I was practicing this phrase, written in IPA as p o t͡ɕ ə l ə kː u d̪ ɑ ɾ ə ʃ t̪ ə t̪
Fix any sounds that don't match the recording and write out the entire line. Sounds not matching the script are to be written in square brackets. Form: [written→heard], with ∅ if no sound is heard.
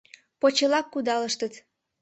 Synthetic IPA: p o t͡ɕ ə l [ə→ɑ] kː u d̪ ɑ [ɾ→l] ə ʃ t̪ ə t̪

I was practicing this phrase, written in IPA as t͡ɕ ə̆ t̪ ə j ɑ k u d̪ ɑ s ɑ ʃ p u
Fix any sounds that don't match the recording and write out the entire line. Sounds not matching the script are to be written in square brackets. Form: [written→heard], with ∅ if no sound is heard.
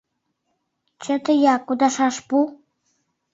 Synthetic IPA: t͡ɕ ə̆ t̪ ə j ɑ k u d̪ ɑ [s→ʃ] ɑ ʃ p u

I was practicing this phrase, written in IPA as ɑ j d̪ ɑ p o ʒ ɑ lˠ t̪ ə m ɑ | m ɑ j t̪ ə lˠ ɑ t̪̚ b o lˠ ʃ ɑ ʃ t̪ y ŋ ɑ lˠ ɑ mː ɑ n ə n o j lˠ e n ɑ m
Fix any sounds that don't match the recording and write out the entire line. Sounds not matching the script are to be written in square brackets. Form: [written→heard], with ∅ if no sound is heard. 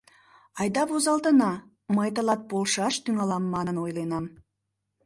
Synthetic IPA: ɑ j d̪ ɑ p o [ʒ→z] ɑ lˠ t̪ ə [m→n] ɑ | m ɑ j t̪ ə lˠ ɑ t̪̚ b o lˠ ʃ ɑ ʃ t̪ y ŋ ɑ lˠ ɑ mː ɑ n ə n o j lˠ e n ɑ m

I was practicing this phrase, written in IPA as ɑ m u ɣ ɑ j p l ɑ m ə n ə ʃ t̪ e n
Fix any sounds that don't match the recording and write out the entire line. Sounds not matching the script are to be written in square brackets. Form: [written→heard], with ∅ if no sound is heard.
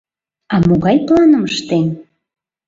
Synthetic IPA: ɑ m [u→o] ɣ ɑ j p l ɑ [m→n] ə [n→m] ə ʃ t̪ e n

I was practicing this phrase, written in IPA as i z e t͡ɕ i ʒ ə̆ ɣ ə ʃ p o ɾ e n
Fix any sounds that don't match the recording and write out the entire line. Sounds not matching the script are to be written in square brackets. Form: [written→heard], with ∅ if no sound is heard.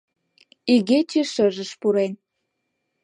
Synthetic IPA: i [z→ɣ] e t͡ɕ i [ʒ→ʃ] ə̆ [ɣ→ʒ] ə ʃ p [o→u] ɾ e n

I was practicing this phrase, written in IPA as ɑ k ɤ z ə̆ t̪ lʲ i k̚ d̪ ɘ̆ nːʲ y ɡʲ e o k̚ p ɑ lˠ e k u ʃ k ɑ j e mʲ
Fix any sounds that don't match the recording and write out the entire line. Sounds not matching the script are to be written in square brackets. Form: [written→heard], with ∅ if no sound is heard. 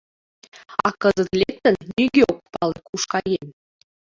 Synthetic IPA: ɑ k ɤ z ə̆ t̪ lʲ [i→e] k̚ [d̪→t̪] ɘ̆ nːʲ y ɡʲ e o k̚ p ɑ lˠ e k u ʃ k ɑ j e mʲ

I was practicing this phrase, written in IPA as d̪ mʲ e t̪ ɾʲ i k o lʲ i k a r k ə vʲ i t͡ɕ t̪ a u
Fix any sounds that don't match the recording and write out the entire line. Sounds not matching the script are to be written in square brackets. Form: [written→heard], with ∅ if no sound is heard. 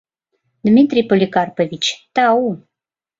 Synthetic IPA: d̪ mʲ [e→i] t̪ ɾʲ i [k→p] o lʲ i k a r [k→p] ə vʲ i t͡ɕ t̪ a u

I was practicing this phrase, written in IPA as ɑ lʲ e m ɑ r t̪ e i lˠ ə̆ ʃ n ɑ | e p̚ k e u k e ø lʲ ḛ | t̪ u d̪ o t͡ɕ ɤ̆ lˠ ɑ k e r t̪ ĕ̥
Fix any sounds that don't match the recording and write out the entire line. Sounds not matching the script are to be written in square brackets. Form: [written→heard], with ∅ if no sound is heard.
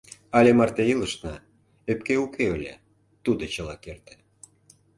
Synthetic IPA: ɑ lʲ e m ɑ r t̪ e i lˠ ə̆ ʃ n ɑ | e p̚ k e u k e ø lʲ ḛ | t̪ u d̪ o t͡ɕ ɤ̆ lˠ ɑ k e r t̪ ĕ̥

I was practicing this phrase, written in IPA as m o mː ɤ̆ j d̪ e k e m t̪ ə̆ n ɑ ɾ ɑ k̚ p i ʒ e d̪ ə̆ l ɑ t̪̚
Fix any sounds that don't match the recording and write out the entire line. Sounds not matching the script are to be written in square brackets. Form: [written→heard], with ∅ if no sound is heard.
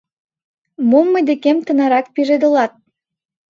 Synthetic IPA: m o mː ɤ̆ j d̪ e k e m t̪ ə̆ n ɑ ɾ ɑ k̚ p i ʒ e d̪ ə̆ l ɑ t̪̚

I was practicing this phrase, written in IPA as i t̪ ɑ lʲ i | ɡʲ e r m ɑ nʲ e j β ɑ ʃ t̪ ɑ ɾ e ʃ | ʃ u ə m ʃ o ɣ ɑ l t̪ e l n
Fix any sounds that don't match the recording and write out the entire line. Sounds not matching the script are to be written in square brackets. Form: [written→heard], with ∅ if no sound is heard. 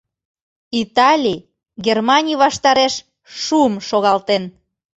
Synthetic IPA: i t̪ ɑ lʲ i | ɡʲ e r m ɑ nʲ [e→i] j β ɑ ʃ t̪ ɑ ɾ e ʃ | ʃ u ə m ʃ o ɣ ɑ l t̪ e [l→∅] n

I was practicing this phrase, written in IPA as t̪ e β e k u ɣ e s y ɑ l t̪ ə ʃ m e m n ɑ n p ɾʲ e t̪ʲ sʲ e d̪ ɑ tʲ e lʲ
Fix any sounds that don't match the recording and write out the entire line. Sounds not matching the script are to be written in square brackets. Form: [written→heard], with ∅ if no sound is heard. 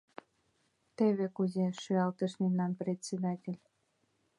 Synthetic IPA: t̪ e β e k u [ɣ→z] e [s→ʃ] y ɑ l t̪ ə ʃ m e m n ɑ n p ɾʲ e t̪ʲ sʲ e d̪ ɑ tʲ e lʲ

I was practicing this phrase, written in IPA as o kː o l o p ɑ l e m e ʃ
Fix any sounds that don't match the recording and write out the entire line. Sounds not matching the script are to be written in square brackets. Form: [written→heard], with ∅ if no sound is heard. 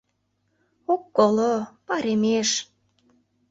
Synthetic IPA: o kː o l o p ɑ [l→ɾ] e m e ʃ

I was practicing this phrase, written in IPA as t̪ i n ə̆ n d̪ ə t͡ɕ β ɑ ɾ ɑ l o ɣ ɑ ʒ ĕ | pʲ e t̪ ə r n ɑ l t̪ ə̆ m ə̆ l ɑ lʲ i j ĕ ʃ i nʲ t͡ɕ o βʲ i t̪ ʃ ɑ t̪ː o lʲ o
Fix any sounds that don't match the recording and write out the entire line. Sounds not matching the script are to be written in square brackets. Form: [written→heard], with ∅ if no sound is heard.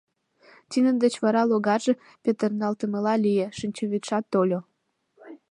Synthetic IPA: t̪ i n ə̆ n d̪ ə t͡ɕ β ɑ ɾ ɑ l o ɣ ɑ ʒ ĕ | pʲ e t̪ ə r n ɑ l t̪ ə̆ m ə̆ l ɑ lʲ i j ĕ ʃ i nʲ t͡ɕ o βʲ i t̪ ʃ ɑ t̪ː o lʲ o

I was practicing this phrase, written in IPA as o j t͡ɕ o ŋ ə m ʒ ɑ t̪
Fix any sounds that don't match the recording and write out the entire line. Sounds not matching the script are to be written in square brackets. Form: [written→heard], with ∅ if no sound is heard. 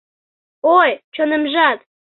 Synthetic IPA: o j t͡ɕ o [ŋ→n] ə m ʒ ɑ t̪

